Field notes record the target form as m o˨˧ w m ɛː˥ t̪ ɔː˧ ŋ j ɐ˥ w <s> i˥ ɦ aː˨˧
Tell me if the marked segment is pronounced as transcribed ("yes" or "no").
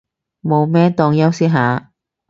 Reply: yes